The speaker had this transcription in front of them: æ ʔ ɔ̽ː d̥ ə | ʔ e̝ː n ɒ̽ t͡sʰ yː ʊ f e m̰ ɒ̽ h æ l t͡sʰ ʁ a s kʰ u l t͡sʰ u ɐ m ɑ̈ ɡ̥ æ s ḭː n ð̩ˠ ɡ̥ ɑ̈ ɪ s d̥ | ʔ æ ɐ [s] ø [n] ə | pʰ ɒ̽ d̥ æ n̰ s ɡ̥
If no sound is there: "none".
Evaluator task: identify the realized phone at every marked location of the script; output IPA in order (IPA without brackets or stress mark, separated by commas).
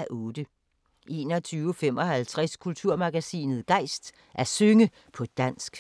s, ŋ